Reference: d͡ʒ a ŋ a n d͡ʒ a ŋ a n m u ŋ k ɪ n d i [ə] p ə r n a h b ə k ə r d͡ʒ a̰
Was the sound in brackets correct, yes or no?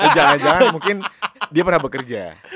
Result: no